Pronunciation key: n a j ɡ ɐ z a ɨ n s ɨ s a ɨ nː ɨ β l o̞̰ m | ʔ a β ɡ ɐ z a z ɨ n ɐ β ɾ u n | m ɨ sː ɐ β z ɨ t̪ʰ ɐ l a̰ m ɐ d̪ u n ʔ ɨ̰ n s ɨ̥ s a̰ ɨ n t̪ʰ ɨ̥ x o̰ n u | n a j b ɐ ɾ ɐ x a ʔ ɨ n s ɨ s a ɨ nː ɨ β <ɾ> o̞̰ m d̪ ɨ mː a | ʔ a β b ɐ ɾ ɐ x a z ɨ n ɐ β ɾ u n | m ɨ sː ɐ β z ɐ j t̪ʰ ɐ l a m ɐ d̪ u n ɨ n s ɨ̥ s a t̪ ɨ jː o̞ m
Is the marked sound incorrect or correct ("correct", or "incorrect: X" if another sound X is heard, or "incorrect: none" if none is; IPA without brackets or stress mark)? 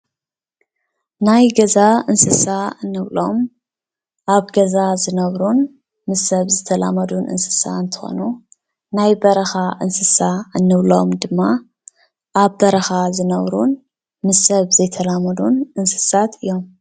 incorrect: l